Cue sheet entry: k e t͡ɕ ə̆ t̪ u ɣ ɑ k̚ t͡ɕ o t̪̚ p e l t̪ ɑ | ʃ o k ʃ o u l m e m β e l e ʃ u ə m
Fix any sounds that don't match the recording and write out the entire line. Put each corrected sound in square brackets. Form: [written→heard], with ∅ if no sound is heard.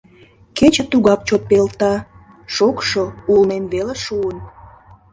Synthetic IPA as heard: k e t͡ɕ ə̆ t̪ u ɣ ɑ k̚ t͡ɕ o t̪̚ p e l t̪ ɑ | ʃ o k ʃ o u l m e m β e l e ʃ u ə [m→n]